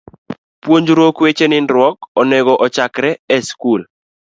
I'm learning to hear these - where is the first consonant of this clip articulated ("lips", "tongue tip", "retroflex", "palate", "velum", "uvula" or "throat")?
lips